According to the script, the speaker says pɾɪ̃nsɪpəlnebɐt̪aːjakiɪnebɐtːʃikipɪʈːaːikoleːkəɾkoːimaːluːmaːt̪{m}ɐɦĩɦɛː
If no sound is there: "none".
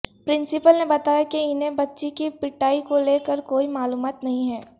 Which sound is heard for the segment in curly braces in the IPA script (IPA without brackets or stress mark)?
n